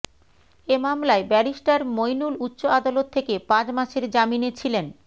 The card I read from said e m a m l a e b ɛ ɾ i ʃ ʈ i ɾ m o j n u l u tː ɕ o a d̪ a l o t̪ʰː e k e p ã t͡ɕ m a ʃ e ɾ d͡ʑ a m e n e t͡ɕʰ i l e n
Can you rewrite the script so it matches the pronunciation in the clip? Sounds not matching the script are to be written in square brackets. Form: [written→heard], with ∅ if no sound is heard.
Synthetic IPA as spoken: e m a m l a e b ɛ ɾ i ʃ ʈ [i→a] ɾ m o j n u l u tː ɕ o a d̪ a l o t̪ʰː e k e p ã t͡ɕ m a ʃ e ɾ d͡ʑ a m [e→i] n e t͡ɕʰ i l e n